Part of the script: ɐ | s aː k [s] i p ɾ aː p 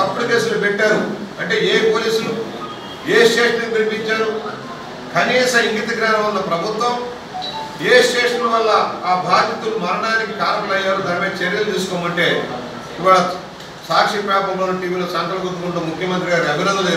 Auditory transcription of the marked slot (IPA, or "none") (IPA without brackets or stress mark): ʂ